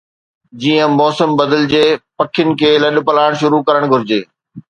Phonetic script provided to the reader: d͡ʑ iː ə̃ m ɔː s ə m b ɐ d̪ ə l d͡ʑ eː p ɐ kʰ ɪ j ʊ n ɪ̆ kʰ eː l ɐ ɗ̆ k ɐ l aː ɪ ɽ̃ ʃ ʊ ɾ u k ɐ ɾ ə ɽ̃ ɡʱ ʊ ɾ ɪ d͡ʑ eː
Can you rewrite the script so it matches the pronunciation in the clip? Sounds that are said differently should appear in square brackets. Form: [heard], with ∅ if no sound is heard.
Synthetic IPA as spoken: d͡ʑ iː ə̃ m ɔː s ə m b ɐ d̪ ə l d͡ʑ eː p ɐ kʰ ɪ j ʊ n ɪ̆ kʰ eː l ɐ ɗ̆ [p] ɐ l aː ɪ ɽ̃ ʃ ʊ ɾ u k ɐ ɾ ə ɽ̃ ɡʱ ʊ ɾ ɪ d͡ʑ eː